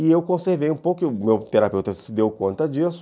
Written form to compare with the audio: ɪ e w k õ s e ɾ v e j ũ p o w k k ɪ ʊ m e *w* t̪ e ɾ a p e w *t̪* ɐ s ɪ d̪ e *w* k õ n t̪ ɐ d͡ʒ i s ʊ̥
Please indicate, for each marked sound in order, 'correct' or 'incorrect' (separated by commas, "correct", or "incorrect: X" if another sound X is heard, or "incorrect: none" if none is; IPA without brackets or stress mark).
correct, correct, correct